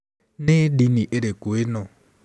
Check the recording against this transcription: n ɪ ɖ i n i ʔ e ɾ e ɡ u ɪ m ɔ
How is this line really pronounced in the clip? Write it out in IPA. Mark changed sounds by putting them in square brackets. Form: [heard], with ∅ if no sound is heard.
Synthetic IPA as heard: n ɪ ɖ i n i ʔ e ɾ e [k] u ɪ [n] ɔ